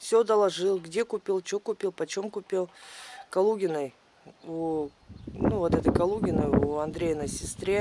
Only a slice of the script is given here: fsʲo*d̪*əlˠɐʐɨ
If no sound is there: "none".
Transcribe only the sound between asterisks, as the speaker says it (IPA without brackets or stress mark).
d̪